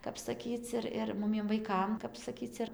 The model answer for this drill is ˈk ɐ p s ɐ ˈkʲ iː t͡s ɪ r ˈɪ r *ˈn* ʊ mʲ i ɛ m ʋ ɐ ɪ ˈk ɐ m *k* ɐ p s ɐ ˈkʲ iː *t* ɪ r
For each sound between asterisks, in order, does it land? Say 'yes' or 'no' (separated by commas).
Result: no, yes, no